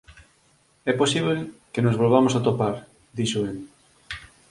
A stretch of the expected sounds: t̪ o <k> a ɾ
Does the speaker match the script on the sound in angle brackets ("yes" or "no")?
no